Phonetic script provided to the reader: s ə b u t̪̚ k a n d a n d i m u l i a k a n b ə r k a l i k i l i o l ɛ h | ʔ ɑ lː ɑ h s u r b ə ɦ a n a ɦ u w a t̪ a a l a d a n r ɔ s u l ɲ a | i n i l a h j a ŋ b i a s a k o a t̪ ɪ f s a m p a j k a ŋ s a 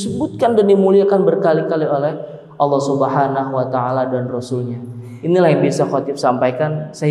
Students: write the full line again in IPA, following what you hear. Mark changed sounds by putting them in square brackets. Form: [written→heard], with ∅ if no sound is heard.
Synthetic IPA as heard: s ə b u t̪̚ k a n d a n d i m u l i a k a n b ə r k a l i k [i→a] l i o l ɛ h | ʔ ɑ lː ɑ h s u [r→∅] b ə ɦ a n a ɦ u w a t̪ a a l a d a n r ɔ s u l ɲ a | i n i l a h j a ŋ b i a s a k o a t̪ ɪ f s a m p a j k a [ŋ→n] s a